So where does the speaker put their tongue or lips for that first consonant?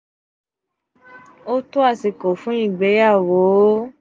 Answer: tongue tip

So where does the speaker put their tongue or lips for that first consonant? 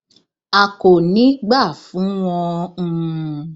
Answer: velum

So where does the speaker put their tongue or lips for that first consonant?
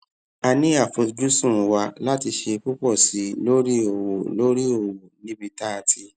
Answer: tongue tip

